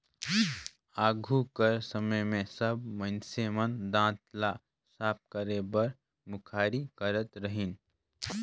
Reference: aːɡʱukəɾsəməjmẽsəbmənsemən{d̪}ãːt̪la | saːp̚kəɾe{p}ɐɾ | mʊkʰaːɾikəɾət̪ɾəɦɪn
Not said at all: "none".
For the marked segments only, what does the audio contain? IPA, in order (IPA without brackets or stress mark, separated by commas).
d̪, b